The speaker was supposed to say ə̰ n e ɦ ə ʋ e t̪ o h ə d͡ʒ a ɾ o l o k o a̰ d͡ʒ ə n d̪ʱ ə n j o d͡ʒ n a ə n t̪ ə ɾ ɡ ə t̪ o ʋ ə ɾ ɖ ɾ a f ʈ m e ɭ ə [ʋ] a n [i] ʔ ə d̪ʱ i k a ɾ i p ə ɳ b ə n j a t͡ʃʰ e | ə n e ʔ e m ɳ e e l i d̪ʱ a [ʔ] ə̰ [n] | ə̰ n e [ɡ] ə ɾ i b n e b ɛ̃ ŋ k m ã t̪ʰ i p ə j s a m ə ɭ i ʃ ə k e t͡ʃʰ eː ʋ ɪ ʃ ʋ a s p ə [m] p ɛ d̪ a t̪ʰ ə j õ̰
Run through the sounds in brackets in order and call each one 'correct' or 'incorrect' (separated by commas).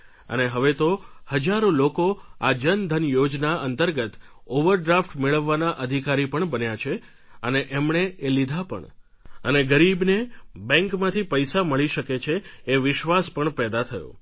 incorrect, incorrect, incorrect, incorrect, correct, incorrect